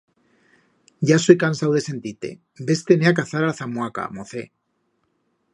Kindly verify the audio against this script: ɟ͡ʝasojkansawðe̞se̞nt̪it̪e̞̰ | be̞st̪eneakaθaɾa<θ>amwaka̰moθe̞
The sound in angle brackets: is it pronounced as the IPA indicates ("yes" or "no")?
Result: yes